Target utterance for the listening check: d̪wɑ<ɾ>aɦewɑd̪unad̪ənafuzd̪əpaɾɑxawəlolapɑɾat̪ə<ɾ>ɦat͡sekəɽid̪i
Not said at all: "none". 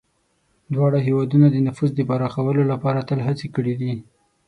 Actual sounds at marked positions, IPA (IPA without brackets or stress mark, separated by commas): ɽ, l